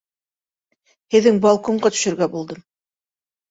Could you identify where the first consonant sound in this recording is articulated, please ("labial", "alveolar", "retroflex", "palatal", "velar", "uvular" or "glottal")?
glottal